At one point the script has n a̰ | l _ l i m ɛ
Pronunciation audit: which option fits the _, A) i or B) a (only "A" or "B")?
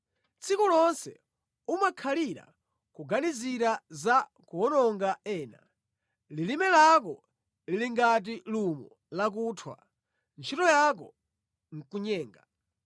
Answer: A